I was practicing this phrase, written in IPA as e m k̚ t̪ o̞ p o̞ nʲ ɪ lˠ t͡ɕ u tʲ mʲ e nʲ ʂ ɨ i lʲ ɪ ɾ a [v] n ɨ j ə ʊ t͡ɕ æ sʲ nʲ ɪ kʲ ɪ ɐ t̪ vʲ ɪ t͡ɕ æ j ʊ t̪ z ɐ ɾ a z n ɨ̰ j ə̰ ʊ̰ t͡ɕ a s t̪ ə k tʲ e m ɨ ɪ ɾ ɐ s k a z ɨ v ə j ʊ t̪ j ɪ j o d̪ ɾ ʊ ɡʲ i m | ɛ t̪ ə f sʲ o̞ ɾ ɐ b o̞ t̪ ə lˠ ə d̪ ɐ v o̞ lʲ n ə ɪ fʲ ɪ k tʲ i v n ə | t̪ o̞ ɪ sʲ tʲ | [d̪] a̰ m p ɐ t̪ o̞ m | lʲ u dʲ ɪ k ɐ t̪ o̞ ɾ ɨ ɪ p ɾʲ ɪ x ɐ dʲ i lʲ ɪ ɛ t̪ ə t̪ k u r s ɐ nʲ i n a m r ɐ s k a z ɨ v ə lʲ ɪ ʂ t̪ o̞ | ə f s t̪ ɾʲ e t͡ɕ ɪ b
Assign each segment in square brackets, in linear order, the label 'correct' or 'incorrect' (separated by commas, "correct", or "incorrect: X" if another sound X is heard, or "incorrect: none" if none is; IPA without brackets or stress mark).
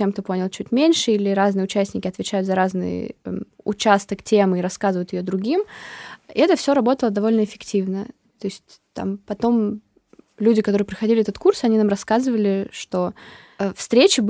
incorrect: z, incorrect: t̪